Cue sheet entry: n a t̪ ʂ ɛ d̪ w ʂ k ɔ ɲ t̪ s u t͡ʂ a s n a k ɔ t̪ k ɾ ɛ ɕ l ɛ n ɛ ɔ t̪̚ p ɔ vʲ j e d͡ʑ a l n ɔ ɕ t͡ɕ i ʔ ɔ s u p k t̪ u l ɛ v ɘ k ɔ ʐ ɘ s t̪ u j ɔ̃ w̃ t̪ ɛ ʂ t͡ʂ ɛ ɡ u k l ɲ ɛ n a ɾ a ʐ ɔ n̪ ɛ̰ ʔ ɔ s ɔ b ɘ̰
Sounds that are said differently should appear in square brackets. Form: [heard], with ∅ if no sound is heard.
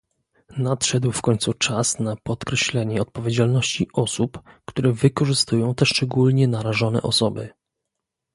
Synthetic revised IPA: n a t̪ ʂ ɛ d̪ w [f] k ɔ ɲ t̪ s u t͡ʂ a s n a [p] ɔ t̪ k ɾ ɛ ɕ l ɛ [ɲ] ɛ ɔ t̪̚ p ɔ vʲ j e d͡ʑ a l n ɔ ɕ t͡ɕ i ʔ ɔ s u p k t̪ u [ɾ] ɛ v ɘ k ɔ ʐ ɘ s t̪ u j ɔ̃ w̃ t̪ ɛ ʂ t͡ʂ ɛ ɡ u [∅] l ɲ ɛ n a ɾ a ʐ ɔ n̪ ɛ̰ ʔ ɔ s ɔ b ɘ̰